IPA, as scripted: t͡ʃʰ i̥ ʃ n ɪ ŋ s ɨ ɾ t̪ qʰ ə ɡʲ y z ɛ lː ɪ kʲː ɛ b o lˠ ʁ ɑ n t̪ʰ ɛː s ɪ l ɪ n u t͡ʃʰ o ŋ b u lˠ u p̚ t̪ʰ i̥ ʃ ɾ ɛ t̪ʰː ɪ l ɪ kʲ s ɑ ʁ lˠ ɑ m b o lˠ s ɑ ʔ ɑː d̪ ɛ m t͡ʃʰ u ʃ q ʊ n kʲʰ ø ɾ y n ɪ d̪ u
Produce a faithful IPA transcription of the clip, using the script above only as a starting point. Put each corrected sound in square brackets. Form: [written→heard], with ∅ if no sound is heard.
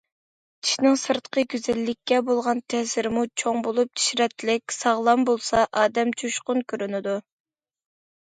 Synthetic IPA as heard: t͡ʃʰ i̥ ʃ n ɪ ŋ s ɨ ɾ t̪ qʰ ə ɡʲ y z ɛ lː ɪ kʲː ɛ b o lˠ ʁ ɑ n t̪ʰ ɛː s ɪ [l→ɾ] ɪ [n→m] u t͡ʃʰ o ŋ b [u→o] lˠ u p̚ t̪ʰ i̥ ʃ ɾ ɛ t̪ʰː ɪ l ɪ kʲ s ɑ ʁ lˠ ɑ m b o lˠ s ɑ ʔ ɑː d̪ ɛ m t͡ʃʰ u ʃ q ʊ n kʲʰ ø ɾ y n ɪ d̪ u